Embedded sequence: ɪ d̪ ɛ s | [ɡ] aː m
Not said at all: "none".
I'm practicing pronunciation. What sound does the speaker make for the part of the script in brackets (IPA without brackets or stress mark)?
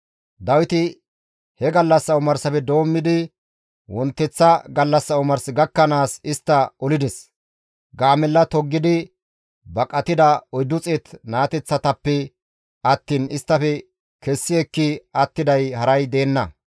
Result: ɡ